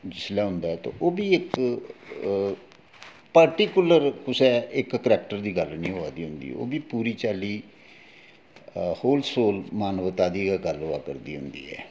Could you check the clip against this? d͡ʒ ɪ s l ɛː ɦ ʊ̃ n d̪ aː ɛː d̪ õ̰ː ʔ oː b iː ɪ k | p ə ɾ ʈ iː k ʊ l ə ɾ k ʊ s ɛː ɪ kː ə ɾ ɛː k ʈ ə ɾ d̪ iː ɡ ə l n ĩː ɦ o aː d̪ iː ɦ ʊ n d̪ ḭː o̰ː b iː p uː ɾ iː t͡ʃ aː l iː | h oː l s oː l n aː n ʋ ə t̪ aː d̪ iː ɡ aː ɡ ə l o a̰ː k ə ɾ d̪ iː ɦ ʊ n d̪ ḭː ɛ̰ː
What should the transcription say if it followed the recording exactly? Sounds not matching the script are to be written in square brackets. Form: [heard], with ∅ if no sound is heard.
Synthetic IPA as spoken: d͡ʒ ɪ s l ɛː ɦ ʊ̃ n d̪ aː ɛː [t̪] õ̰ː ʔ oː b iː ɪ k | p ə ɾ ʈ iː k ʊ l ə ɾ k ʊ s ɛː ɪ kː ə ɾ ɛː k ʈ ə ɾ d̪ iː ɡ ə l n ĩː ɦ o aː d̪ iː ɦ ʊ n d̪ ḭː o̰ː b iː p uː ɾ iː t͡ʃ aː l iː | h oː l s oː l [m] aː n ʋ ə t̪ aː d̪ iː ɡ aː ɡ ə l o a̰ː k ə ɾ d̪ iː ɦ ʊ n d̪ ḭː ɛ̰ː